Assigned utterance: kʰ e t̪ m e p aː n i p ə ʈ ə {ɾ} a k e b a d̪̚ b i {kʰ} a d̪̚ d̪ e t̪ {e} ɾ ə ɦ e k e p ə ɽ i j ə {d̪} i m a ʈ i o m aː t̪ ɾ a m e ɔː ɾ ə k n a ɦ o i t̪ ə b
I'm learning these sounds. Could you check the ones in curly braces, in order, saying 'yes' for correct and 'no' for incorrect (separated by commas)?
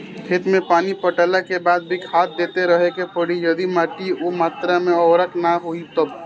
no, yes, yes, yes